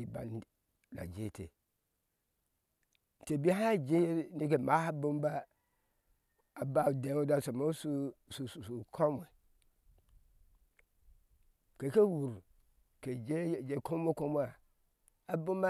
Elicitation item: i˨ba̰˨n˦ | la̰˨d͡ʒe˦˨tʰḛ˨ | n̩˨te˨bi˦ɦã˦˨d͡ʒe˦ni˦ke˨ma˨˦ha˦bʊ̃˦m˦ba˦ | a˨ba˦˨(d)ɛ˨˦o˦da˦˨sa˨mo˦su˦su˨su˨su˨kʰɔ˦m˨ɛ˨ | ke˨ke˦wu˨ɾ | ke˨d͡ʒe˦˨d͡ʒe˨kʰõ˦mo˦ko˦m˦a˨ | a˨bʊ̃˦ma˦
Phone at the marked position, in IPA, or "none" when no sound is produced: d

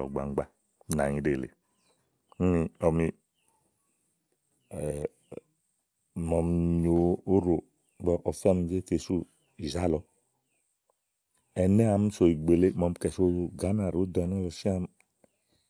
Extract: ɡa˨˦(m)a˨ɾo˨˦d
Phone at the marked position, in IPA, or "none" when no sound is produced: n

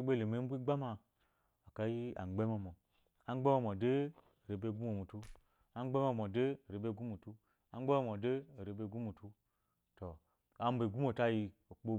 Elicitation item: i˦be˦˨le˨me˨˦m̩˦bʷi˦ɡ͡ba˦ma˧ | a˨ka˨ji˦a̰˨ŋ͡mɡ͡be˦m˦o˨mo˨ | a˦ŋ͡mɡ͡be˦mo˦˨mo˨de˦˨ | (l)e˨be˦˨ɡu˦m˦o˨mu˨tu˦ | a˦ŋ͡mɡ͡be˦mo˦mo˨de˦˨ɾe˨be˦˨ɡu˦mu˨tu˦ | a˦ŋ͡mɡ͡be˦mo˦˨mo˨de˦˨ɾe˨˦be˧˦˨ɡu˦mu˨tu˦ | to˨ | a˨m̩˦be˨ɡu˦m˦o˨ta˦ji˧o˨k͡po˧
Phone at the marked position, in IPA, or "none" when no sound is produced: ɾ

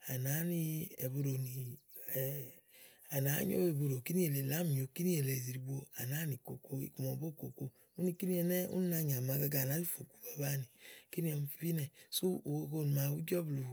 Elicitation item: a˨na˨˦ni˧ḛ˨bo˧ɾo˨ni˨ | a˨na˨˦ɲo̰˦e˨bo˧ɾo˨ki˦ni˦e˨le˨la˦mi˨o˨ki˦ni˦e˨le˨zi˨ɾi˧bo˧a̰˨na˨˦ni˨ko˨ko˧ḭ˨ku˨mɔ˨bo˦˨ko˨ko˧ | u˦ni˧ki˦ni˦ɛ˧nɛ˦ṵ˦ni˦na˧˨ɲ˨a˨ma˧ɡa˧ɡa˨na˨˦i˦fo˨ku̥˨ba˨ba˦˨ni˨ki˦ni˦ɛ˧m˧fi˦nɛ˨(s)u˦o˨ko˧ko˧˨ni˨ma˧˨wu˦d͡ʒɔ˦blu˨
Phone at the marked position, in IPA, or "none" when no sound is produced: s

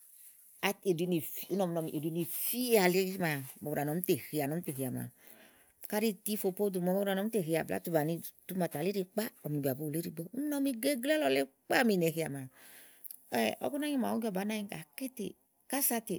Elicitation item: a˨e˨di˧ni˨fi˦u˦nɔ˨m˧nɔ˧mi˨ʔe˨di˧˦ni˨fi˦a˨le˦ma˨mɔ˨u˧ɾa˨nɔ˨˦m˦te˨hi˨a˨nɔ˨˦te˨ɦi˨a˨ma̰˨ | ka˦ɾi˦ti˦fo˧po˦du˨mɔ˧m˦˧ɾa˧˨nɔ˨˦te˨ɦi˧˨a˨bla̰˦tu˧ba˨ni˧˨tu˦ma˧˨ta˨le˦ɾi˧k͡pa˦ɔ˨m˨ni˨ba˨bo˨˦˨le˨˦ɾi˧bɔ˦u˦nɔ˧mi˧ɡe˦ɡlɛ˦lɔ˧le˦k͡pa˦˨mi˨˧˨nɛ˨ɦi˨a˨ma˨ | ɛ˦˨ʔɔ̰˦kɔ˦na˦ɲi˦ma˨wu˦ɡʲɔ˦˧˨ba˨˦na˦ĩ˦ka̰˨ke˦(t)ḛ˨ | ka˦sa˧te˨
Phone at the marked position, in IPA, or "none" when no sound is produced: t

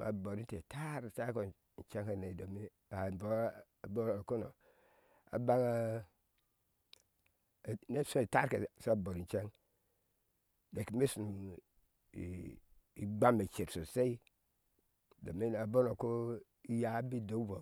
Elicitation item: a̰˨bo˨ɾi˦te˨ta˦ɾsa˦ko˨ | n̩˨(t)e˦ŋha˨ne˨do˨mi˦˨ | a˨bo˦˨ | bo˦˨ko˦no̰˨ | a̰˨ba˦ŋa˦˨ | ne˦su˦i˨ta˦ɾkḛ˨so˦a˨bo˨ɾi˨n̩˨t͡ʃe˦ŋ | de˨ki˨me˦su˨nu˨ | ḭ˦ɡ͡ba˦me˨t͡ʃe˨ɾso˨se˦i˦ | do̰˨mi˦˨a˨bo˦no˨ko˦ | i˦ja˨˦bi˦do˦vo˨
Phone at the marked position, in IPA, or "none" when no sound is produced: t͡ʃ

